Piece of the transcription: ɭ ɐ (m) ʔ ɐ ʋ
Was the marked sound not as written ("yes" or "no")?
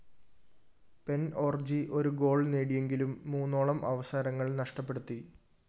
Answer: no